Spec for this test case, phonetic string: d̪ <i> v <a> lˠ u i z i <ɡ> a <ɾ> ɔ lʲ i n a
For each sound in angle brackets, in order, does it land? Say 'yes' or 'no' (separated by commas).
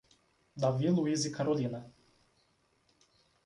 no, no, no, yes